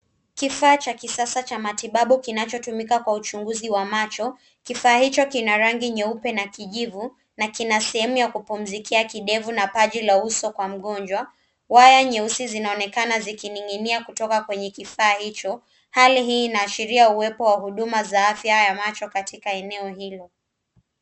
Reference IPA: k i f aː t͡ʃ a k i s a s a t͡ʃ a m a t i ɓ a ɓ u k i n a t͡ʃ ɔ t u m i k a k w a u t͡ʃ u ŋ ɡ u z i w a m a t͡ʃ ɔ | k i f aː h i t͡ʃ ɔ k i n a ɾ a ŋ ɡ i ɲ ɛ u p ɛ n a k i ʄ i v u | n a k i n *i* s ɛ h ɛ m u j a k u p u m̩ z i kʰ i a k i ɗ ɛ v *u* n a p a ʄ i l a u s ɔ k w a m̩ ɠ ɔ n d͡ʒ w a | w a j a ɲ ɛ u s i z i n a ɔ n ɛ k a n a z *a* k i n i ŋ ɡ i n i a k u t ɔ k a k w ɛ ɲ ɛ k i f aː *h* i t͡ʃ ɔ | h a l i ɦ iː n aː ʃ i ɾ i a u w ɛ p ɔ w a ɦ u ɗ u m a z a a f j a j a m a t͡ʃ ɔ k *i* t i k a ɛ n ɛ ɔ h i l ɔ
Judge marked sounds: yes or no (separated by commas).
no, yes, no, yes, no